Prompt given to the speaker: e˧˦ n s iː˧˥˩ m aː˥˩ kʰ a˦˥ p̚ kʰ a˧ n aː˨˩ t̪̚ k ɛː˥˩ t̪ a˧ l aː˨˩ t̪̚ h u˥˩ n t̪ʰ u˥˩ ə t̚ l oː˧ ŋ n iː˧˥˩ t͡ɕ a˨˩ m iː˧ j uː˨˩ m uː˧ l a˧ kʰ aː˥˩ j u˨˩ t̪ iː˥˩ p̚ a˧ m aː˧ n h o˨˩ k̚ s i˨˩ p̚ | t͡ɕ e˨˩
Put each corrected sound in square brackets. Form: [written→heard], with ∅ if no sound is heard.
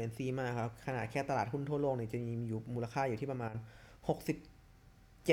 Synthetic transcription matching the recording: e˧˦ n s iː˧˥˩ m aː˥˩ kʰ a˦˥ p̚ kʰ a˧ n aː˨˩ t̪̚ [k→kʰ] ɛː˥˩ t̪ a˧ l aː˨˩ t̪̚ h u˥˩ n t̪ʰ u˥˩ ə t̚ l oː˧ ŋ n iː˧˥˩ t͡ɕ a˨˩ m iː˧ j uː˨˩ m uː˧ l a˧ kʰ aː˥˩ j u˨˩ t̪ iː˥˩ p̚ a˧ m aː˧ n h o˨˩ k̚ s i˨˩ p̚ | t͡ɕ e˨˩